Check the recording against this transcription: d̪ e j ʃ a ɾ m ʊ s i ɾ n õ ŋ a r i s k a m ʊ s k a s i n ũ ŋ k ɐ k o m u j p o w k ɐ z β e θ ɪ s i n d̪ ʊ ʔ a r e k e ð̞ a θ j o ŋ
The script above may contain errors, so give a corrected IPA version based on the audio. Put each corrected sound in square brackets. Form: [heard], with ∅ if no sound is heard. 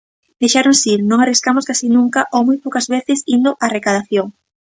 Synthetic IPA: d̪ e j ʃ a ɾ [n] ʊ s i ɾ n õ ŋ a r i s k a m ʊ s k a s i n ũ ŋ k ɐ [ʔ] o m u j p o w k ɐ z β e θ ɪ s i n d̪ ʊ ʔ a r e k [a] ð̞ a θ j o ŋ